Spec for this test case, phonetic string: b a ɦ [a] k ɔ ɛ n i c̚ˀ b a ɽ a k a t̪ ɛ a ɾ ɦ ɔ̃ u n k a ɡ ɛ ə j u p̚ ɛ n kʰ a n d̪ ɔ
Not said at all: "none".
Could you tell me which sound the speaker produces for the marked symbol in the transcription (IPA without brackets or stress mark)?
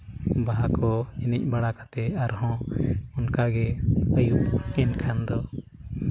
a